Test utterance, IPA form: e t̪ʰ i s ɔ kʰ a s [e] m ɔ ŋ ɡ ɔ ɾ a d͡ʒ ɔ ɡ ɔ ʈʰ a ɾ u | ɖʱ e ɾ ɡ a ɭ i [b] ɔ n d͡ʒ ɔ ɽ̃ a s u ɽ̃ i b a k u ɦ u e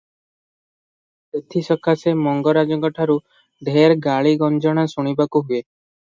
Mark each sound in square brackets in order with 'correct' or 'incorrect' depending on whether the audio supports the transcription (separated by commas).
correct, incorrect